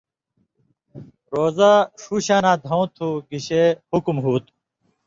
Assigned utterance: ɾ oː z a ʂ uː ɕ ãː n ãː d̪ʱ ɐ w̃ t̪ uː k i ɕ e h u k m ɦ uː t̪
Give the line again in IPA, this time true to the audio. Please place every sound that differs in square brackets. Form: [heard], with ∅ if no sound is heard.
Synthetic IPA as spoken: ɾ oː z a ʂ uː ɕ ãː n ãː d̪ʱ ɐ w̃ [t̪ʰ] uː [ɡ] i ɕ e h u k m ɦ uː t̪